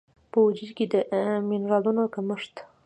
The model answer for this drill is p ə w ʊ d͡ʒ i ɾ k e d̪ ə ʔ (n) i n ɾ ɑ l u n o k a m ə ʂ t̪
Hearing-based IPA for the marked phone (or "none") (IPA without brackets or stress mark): m